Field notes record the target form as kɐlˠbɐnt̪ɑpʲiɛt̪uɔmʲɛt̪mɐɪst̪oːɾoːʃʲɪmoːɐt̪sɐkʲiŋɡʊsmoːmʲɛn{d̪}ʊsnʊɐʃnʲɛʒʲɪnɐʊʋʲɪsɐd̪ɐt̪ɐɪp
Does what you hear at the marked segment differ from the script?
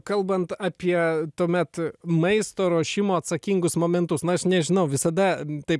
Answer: yes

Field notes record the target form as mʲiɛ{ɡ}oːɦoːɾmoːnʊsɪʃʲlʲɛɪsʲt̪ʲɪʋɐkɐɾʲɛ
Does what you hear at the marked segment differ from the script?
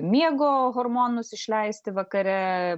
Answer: no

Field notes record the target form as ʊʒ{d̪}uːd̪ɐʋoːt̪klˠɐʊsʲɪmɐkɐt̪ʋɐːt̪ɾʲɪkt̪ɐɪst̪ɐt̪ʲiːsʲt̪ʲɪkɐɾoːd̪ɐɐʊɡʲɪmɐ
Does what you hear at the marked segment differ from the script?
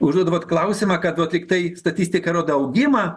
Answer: no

